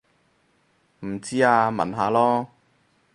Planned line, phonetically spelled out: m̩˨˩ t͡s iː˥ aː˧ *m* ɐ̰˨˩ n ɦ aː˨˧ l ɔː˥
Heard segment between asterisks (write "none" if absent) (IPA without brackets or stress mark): m